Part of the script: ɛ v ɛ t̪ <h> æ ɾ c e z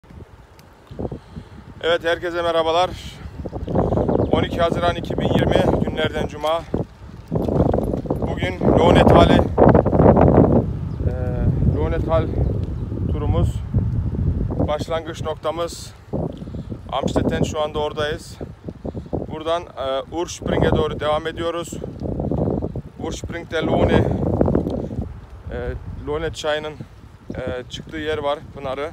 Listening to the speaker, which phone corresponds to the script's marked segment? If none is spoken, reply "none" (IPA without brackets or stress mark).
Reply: h